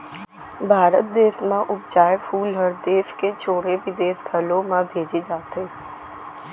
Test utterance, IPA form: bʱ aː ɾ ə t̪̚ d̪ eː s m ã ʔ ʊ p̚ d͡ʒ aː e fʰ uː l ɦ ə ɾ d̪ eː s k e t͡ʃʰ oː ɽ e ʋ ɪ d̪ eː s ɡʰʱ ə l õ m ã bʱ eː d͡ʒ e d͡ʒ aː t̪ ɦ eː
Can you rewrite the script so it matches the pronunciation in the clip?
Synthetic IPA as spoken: bʱ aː ɾ ə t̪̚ d̪ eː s m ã ʔ ʊ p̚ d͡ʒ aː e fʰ uː l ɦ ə ɾ d̪ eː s k e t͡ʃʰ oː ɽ e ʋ ɪ d̪ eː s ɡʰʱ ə l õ m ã bʱ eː d͡ʒ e d͡ʒ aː t̪ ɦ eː